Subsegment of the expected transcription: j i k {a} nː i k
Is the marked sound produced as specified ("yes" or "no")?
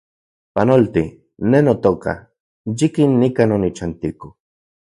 no